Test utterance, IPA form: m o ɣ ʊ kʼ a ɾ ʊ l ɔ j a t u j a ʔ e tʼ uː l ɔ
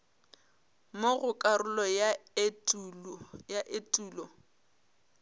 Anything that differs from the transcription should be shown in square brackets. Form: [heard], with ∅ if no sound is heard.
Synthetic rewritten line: m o ɣ ʊ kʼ a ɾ ʊ l ɔ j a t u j a ʔ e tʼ uː l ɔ

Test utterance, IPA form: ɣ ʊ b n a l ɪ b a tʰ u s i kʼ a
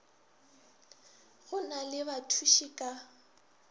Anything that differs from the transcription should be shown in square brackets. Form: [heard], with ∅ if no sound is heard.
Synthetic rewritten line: ɣ ʊ [∅] n a l ɪ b a tʰ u [ʃ] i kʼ a

